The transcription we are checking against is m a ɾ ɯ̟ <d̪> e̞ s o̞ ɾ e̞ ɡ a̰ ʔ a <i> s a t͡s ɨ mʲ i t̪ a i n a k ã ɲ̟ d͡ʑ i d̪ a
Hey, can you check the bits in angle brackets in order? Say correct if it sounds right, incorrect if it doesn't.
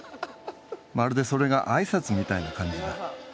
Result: correct, correct

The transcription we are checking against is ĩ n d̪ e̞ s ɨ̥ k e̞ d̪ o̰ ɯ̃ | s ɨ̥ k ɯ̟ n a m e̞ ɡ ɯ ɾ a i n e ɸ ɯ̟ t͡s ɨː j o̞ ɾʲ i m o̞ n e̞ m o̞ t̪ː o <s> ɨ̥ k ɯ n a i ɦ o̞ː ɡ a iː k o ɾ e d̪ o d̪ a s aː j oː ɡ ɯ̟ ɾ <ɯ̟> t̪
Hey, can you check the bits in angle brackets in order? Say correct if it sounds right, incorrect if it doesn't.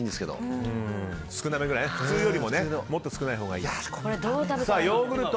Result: correct, correct

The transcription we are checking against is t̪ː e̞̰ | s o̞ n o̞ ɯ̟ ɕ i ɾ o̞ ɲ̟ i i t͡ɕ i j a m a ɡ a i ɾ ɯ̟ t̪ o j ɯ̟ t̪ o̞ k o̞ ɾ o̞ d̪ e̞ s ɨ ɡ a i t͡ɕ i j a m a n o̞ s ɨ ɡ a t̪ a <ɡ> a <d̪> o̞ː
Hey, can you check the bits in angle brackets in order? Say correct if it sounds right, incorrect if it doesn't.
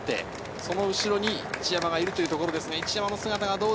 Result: correct, correct

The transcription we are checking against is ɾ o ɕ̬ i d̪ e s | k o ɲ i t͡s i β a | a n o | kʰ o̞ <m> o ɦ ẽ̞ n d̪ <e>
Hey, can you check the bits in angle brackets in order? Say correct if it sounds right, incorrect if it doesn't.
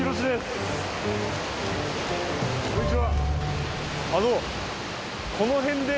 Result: incorrect: n, correct

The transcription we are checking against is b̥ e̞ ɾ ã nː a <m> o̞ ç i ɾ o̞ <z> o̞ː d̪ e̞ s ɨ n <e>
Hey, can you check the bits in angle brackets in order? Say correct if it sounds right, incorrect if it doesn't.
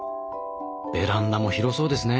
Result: correct, incorrect: s, correct

